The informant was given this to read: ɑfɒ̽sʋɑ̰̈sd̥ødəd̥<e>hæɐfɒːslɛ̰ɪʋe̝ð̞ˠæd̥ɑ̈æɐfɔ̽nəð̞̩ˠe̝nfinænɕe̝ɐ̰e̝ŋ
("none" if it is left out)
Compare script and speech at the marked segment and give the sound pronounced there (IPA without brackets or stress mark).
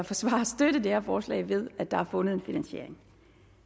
e